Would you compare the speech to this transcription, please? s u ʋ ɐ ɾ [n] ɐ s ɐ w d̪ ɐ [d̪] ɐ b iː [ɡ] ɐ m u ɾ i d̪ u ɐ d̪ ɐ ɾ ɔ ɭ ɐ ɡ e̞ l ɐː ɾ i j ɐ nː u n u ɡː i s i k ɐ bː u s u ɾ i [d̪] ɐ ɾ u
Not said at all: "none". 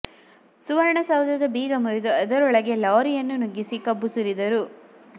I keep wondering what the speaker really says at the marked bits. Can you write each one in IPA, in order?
ɳ, d̪, ɡ, d̪

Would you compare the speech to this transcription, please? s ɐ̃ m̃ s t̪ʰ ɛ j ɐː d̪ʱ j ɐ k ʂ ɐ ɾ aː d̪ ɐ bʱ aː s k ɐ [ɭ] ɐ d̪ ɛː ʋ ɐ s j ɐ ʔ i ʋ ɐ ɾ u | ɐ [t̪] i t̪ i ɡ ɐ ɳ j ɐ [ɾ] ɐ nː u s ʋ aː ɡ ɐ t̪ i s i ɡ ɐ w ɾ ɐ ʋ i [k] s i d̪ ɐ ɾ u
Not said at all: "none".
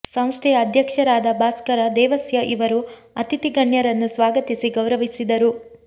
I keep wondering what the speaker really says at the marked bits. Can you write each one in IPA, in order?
ɾ, t̪, ɾ, none

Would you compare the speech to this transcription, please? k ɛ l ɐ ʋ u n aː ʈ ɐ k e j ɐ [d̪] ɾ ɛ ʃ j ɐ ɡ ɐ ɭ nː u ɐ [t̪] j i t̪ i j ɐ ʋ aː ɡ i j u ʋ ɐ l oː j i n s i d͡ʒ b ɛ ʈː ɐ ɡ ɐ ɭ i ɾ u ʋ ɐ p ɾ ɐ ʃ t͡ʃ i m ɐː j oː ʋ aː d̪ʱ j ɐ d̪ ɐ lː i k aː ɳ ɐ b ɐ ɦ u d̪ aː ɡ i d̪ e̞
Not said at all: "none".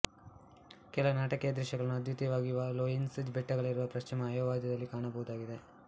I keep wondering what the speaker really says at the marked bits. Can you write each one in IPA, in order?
d̪, d̪

